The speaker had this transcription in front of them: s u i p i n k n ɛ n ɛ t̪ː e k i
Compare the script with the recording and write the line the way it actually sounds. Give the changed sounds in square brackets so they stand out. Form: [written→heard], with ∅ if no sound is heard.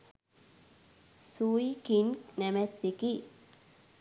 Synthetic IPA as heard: s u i [p→k] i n k n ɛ [n→m] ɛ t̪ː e k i